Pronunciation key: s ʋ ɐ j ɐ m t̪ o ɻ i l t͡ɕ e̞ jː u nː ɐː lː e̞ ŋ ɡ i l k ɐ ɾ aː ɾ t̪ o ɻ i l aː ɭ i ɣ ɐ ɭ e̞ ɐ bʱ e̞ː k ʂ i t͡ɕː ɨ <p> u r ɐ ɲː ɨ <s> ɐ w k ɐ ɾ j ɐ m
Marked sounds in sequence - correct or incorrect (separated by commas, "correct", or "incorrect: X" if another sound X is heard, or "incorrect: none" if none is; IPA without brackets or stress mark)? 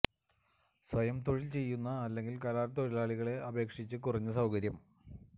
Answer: incorrect: k, correct